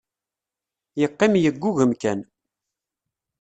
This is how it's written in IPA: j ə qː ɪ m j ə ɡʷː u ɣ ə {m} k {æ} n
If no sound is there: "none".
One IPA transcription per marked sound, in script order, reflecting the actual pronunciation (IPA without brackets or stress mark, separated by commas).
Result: m, æ